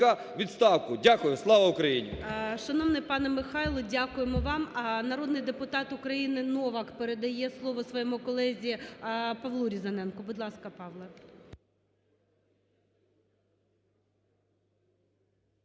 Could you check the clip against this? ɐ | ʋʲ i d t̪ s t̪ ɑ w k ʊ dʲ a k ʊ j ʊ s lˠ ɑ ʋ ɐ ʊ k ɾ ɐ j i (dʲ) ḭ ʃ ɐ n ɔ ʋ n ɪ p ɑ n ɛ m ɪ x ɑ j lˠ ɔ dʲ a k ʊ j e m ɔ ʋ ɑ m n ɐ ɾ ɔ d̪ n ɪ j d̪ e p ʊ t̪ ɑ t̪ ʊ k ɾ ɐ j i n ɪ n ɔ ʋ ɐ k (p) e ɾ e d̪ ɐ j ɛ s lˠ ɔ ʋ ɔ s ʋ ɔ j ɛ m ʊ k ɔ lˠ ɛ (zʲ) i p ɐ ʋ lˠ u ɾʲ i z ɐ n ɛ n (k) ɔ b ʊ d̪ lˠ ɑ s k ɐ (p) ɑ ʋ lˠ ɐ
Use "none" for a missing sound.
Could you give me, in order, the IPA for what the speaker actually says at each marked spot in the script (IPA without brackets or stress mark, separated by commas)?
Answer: nʲ, p, zʲ, k, p